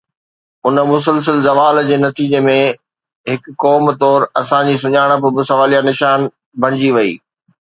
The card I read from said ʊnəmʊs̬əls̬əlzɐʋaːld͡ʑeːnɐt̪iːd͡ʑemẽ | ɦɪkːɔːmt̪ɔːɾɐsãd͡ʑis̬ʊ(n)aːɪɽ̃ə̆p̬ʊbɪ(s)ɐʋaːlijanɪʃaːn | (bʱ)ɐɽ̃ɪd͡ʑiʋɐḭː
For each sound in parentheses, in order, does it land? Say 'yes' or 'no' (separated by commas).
no, yes, yes